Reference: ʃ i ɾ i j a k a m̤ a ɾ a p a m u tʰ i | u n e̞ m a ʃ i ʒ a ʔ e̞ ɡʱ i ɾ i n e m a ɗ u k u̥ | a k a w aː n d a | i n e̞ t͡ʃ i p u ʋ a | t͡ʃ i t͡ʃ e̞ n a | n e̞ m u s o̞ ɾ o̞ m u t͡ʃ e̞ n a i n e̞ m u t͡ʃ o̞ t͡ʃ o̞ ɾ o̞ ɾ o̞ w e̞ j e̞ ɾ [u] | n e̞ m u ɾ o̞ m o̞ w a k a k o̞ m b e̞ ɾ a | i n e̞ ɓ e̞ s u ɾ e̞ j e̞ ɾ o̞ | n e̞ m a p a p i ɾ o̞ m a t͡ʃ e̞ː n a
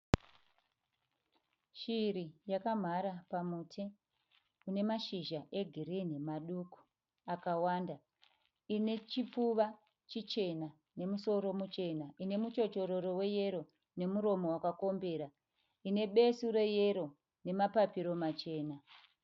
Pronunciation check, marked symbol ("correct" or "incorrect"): incorrect